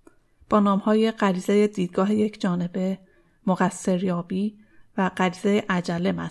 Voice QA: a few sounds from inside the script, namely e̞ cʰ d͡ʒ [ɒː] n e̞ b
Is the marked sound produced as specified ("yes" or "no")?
yes